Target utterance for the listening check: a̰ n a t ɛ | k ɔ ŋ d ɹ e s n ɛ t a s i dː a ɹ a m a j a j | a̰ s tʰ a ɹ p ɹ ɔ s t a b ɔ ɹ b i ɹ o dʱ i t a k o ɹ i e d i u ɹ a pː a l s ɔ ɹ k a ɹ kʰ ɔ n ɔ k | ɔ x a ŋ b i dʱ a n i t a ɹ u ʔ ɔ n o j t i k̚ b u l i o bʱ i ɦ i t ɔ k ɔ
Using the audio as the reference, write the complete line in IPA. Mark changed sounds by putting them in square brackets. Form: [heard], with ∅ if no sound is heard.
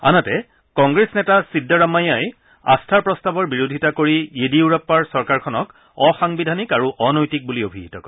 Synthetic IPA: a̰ n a t ɛ | k ɔ ŋ [ɡ] ɹ e s n ɛ t a s i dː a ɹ a m a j a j | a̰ s tʰ a ɹ p ɹ ɔ s t a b ɔ ɹ b i ɹ o dʱ i t a k o ɹ i e d i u ɹ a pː a [ɹ] s ɔ ɹ k a ɹ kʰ ɔ n ɔ k | ɔ x a ŋ b i dʱ a n i [k] a ɹ u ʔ ɔ n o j t i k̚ b u l i o bʱ i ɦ i t ɔ k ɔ